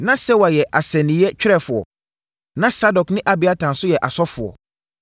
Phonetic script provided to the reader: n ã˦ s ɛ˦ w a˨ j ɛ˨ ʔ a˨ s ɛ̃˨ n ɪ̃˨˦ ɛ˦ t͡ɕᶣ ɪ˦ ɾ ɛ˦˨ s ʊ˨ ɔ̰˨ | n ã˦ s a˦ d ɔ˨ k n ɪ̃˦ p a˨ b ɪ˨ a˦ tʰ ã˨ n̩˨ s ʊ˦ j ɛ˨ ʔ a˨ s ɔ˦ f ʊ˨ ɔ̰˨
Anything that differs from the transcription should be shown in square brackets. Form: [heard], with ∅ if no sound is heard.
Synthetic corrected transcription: n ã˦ s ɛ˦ w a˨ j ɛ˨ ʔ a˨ s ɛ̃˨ n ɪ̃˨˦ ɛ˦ t͡ɕᶣ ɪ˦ ɾ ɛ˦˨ [f] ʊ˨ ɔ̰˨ | n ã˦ s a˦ d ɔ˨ k n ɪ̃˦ [ʔ] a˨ b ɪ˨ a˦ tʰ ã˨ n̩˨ s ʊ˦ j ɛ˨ ʔ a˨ s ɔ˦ f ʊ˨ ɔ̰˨